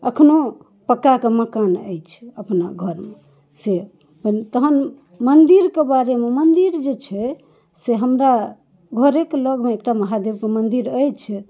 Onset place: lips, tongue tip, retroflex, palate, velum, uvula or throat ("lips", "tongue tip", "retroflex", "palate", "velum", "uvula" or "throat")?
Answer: velum